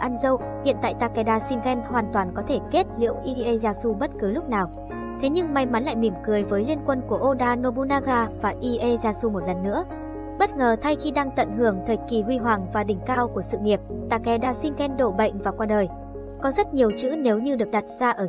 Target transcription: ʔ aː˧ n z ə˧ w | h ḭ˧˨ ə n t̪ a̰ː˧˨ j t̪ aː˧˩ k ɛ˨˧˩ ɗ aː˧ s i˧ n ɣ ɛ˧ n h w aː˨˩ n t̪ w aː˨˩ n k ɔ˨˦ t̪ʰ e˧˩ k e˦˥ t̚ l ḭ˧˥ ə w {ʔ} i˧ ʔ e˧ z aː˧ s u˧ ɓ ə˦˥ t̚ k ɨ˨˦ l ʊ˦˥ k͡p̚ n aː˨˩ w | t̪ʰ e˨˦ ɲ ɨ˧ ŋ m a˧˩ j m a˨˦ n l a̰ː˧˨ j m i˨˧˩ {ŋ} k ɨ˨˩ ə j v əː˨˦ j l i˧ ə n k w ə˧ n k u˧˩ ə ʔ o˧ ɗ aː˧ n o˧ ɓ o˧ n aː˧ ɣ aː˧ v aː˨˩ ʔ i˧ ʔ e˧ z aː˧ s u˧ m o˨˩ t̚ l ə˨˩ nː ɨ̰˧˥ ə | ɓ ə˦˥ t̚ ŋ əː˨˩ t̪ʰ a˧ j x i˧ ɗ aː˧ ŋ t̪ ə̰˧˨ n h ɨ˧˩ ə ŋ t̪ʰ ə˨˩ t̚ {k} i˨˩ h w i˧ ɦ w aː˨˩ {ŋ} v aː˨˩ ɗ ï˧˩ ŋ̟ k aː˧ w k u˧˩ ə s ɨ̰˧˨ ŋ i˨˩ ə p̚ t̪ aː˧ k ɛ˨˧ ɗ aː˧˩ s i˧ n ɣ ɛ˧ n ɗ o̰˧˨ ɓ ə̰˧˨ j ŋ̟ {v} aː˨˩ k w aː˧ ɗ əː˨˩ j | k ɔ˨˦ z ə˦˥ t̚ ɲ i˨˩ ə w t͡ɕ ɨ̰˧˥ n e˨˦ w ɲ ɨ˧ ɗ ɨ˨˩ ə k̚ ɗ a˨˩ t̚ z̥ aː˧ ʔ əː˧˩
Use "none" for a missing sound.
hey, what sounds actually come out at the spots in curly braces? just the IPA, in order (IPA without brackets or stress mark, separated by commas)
ʔ, m, k, ŋ, v